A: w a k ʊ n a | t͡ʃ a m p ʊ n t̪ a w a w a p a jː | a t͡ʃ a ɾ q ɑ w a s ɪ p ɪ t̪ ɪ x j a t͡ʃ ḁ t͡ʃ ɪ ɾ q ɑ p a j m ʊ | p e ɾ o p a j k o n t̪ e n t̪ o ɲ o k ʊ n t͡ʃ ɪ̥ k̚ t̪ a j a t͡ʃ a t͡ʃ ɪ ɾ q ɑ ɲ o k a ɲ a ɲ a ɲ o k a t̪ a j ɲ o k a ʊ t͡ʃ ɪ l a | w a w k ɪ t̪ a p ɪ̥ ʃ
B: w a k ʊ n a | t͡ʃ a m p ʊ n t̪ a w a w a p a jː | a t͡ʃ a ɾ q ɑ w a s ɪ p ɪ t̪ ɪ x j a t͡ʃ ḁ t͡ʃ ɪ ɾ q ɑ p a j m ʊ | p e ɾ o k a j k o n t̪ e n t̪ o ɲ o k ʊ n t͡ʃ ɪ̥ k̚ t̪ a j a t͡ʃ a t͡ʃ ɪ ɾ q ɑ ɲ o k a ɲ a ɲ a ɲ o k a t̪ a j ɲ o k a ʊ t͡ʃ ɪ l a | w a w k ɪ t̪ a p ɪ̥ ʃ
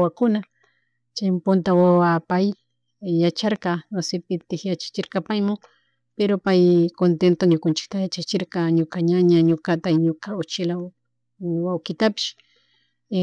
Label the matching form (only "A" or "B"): A